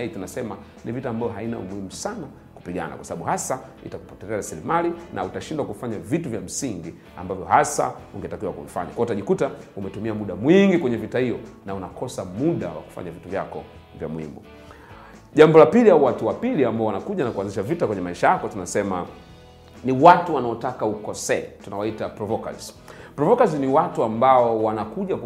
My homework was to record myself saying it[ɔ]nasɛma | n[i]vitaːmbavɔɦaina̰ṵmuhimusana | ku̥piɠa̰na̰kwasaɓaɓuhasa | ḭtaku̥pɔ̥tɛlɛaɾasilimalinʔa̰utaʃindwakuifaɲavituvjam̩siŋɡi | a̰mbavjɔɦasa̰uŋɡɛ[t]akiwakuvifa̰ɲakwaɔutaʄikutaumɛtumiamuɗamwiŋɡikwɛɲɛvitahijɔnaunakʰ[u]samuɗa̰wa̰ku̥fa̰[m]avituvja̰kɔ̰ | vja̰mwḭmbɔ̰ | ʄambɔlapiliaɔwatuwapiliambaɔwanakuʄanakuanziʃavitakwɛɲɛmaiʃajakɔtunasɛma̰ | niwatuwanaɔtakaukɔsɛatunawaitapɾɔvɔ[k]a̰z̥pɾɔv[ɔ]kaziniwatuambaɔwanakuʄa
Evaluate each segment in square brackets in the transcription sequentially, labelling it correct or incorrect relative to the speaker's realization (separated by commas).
incorrect, correct, correct, incorrect, incorrect, correct, correct